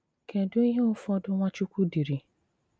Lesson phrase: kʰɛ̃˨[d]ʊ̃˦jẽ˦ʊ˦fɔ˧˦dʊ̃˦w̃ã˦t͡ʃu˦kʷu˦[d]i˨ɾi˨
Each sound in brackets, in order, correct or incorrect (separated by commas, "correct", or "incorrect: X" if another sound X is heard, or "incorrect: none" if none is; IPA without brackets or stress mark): correct, correct